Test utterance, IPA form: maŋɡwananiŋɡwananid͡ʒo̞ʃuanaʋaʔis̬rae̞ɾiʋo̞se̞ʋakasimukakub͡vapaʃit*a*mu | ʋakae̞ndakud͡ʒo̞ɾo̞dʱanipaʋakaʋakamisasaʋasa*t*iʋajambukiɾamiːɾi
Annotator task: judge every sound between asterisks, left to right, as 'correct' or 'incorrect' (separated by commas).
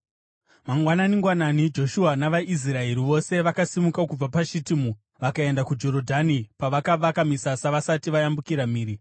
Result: incorrect, correct